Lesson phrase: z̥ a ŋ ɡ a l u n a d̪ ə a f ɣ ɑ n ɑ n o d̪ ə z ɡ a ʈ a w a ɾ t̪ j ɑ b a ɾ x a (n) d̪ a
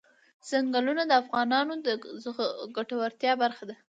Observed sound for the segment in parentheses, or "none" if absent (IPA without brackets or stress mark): none